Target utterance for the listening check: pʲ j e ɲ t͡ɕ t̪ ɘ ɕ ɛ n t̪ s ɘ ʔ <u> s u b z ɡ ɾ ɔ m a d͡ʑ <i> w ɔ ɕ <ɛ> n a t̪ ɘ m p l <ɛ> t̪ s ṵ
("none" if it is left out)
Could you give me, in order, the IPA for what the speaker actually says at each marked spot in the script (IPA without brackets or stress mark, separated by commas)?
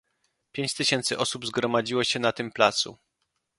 ɔ, i, ɛ, a